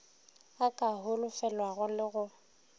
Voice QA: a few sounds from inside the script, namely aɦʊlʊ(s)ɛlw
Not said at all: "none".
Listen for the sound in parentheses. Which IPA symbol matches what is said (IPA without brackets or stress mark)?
f